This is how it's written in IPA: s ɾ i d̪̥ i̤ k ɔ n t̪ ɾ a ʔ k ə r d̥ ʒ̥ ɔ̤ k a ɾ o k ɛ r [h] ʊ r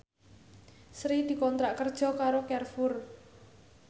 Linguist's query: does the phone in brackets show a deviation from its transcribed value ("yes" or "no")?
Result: yes